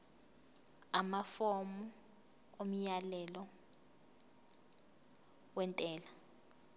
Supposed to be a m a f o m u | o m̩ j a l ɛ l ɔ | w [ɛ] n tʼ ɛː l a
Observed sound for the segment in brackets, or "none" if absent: ɛ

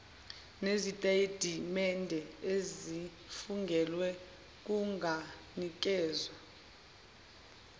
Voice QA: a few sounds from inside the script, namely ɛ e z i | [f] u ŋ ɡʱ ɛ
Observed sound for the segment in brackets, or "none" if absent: f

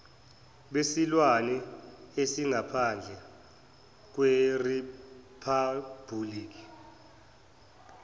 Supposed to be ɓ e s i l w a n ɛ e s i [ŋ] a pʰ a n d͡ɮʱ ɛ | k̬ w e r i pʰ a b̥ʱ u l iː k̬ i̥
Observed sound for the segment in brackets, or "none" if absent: ŋ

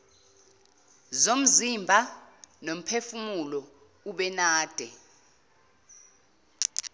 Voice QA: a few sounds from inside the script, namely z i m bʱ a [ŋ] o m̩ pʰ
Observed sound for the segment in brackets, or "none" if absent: n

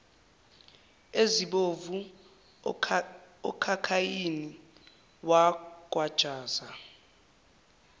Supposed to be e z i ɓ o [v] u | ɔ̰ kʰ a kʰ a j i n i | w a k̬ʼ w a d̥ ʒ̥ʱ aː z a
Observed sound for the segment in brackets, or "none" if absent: v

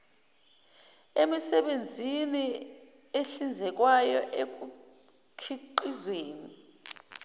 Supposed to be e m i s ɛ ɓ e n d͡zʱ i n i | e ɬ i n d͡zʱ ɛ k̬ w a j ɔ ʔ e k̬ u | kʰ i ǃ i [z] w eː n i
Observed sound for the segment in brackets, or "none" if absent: z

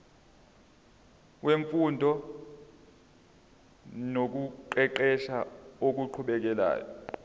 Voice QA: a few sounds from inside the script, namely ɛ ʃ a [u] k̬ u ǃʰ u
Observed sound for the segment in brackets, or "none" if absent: o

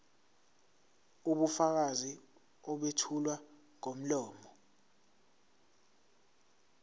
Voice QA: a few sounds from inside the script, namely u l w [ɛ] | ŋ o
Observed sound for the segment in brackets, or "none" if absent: a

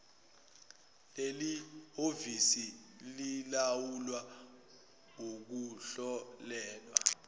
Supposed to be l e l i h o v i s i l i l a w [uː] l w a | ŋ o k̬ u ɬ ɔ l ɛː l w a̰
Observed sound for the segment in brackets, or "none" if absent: u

